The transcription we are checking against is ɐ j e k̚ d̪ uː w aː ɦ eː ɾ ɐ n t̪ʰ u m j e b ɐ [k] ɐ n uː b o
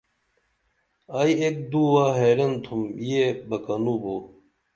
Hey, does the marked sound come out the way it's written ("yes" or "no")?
yes